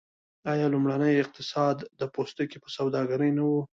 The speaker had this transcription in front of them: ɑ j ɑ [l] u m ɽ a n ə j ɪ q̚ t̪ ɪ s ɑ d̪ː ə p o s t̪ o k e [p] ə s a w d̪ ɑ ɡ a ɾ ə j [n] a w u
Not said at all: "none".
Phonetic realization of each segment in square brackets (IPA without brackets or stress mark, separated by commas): l, p, n